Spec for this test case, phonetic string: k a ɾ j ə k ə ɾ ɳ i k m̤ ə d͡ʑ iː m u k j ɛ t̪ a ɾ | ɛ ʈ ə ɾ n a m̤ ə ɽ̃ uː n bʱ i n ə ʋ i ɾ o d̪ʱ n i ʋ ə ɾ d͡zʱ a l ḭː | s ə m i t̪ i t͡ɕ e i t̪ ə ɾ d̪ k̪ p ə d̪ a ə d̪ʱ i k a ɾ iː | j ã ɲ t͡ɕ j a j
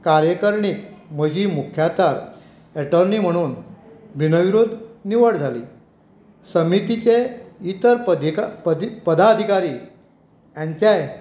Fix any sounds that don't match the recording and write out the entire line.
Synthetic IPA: k a ɾ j ə k ə ɾ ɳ i k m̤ ə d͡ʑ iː m u kʰ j a t̪ a ɾ | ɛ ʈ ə ɾ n i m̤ ə ɽ̃ uː n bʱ i n ə ʋ i ɾ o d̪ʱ n i ʋ ə ɽ d͡zʱ a l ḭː | s ə m i t̪ i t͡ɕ e i t̪ ə ɾ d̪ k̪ p ə d̪ a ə d̪ʱ i k a ɾ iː | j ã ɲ t͡ɕ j a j

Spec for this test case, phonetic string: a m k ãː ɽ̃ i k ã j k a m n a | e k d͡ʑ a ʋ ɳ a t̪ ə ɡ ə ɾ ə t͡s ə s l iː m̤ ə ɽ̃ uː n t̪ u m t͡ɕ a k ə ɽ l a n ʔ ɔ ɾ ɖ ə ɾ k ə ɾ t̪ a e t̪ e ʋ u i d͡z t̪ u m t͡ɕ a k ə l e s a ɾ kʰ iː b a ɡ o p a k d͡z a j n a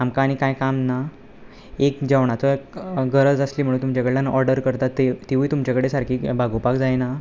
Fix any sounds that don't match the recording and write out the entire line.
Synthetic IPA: a m k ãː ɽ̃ i k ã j k a m n a | e k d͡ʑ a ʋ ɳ a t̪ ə ɡ ə ɾ ə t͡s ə s l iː m̤ ə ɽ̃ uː n t̪ u m t͡ɕ a k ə ɽ l a n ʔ ɔ ɾ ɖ ə ɾ k ə ɾ t̪ a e t̪ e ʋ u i t̪ u m t͡ɕ a k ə ɽ e s a ɾ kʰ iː b a ɡ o p a k d͡z a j n a

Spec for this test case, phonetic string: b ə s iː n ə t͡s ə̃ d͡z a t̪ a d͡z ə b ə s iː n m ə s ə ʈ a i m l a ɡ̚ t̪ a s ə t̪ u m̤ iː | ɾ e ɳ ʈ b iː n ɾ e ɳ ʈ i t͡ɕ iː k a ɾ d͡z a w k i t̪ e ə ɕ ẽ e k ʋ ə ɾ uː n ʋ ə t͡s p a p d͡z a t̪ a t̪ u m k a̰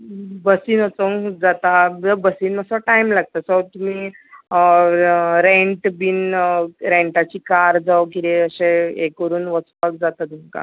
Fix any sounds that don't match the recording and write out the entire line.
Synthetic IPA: b ə s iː n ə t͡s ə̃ d͡z a t̪ a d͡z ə b ə s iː n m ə s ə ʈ a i m l a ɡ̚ t̪ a s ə t̪ u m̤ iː | ɾ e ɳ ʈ b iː n ɾ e ɳ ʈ a t͡ɕ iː k a ɾ d͡z a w k i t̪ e ə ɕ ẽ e k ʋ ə ɾ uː n ʋ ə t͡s p a k d͡z a t̪ a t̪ u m k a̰

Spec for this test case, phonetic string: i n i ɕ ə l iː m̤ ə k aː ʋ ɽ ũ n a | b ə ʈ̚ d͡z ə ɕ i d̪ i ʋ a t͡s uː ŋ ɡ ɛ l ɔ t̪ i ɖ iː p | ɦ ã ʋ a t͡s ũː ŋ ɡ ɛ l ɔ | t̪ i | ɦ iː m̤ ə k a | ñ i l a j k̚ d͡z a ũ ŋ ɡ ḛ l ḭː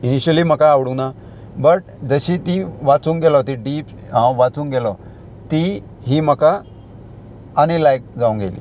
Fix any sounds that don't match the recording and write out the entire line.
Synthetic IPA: i n i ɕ ə l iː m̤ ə k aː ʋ ɽ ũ n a | b ə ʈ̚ d͡z ə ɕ i t̪ i ʋ a t͡s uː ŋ ɡ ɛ l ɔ t̪ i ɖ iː p | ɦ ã ʋ a t͡s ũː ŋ ɡ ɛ l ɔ | t̪ i | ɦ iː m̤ ə k a | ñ i l a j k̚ d͡z a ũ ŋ ɡ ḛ l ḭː

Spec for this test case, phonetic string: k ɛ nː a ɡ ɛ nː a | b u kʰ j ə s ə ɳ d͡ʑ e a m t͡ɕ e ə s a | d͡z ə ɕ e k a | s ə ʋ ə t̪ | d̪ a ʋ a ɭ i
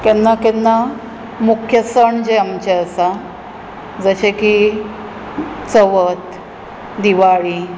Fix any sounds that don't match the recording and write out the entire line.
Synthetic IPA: k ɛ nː a k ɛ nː a | m u kʰ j ə s ə ɳ d͡ʑ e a m t͡ɕ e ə s a | d͡z ə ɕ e k i | t͡s ə ʋ ə t̪ | d̪ i ʋ a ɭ i

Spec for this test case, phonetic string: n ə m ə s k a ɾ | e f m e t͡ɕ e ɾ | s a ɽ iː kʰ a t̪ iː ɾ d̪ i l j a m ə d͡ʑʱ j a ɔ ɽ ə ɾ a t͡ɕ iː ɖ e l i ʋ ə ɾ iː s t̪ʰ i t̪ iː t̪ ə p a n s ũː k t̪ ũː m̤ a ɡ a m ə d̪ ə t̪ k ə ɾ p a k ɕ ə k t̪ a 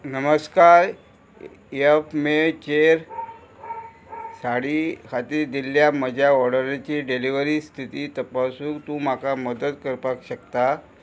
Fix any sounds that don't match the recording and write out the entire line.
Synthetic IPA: n ə m ə s k a ɾ | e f m e t͡ɕ e ɾ | s a ɽ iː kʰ a t̪ iː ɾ d̪ i l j a m ə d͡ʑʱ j a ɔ ɽ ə ɾ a t͡ɕ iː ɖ e l i ʋ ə ɾ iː s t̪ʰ i t̪ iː t̪ ə p a s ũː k t̪ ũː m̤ a k a m ə d̪ ə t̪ k ə ɾ p a k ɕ ə k t̪ a

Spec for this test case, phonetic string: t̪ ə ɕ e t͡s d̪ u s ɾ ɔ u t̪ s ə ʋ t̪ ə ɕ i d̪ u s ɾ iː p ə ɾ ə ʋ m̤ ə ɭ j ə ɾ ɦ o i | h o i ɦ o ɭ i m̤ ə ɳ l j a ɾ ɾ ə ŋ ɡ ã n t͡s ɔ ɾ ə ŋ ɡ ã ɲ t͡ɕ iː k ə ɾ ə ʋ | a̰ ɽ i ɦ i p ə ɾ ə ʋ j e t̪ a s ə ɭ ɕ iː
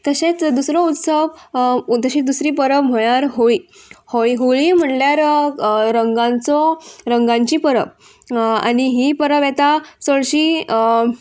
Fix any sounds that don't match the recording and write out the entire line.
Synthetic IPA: t̪ ə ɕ e t͡s d̪ u s ɾ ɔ u t̪ s ə ʋ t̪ ə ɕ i d̪ u s ɾ iː p ə ɾ ə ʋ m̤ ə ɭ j a ɾ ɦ o i | h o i ɦ o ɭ i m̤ ə ɳ l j a ɾ ɾ ə ŋ ɡ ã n t͡s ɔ ɾ ə ŋ ɡ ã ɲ t͡ɕ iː p ə ɾ ə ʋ | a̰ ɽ i ɦ i p ə ɾ ə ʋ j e t̪ a s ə ɭ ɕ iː

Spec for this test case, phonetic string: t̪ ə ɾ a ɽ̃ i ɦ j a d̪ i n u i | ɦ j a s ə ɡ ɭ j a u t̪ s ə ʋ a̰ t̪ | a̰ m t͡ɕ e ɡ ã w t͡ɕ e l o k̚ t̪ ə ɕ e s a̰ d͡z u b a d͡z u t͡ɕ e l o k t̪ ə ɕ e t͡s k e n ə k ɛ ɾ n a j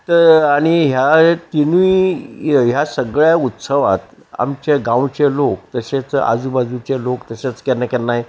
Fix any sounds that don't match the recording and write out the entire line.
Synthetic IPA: t̪ ə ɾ a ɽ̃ i ɦ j a t̪ i n u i | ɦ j a s ə ɡ ɭ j a u t̪ s ə ʋ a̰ t̪ | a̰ m t͡ɕ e ɡ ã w t͡ɕ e l o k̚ t̪ ə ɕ e t͡s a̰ d͡z u b a d͡z u t͡ɕ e l o k t̪ ə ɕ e t͡s k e n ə k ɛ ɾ n a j

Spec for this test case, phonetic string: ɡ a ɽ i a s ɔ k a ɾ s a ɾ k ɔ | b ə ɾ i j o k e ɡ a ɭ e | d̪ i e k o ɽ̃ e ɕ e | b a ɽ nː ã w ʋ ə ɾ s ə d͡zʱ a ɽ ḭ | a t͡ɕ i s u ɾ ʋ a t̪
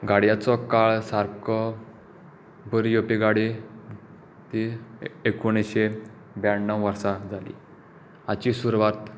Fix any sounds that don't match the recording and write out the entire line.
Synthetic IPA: ɡ a ɽ j a t͡s ɔ k a ɭ s a ɾ k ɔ | b ə ɾ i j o p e ɡ a ɽ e | t̪ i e k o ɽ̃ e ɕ e | b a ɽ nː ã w ʋ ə ɾ s a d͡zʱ a l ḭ | a t͡ɕ i s u ɾ ʋ a t̪

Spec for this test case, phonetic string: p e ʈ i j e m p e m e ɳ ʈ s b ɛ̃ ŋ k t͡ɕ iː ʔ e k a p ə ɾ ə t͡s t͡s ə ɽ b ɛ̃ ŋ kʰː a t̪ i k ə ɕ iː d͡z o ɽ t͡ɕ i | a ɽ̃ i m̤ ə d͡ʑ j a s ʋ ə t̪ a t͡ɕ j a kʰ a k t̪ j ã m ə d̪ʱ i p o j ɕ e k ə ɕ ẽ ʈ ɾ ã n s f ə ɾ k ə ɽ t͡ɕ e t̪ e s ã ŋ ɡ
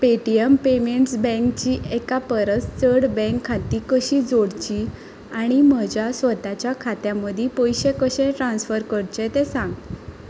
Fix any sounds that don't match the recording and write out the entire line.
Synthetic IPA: p e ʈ i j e m p e m e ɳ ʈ s b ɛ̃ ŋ k t͡ɕ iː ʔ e k a p ə ɾ ə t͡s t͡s ə ɽ b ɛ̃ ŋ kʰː a t̪ i k ə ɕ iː d͡z o ɽ t͡ɕ i | a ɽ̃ i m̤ ə d͡ʑ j a s ʋ ə t̪ a t͡ɕ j a kʰ a t̪ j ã m ə d̪ʱ i p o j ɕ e k ə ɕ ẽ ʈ ɾ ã n s f ə ɾ k ə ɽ t͡ɕ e t̪ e s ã ŋ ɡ

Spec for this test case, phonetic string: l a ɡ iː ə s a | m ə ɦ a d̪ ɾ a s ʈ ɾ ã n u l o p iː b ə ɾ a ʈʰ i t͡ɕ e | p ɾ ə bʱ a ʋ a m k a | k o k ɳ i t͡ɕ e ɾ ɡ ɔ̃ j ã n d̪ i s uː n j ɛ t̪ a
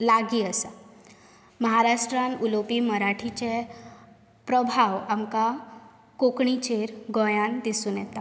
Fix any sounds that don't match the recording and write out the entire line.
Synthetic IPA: l a ɡ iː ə s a | m ə ɦ a ɾ a ʂ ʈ ɾ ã n u l o p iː m ə ɾ a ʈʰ i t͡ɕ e | p ɾ ə bʱ a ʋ a m k a | k o k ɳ i t͡ɕ e ɾ ɡ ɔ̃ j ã n d̪ i s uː n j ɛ t̪ a

